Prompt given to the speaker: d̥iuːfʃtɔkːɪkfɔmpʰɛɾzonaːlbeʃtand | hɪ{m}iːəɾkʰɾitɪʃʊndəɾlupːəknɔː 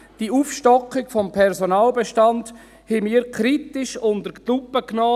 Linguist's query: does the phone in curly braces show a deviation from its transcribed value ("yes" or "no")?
no